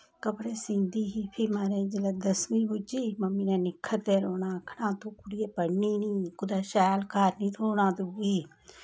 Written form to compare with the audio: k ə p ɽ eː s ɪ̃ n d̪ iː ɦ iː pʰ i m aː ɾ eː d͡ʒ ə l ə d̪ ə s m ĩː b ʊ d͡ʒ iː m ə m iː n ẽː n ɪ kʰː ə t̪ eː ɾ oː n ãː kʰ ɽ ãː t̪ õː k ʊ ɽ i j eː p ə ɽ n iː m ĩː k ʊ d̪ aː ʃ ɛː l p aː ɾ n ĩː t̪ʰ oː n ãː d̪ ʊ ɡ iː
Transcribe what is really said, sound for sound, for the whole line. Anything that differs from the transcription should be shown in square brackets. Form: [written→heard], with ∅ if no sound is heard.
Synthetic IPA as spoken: k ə p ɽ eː s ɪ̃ n d̪ iː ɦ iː pʰ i m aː ɾ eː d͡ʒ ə l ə d̪ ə s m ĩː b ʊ d͡ʒ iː m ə m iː n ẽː n ɪ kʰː ə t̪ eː ɾ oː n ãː kʰ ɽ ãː t̪ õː k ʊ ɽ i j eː p ə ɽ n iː [m→n] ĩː k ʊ d̪ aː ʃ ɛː l [p→k] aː ɾ n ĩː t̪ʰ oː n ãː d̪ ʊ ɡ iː